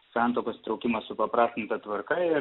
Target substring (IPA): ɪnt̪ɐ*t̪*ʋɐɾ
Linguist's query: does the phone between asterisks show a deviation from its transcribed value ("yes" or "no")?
no